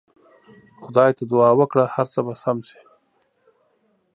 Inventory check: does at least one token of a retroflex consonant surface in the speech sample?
yes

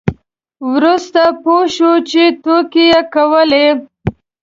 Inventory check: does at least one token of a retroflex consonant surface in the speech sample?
no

